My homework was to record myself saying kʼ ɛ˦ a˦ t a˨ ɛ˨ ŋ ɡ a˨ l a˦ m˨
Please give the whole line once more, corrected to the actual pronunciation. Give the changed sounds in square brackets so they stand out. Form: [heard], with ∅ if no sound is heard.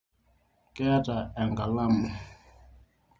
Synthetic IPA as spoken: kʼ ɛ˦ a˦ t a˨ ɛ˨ ŋ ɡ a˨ l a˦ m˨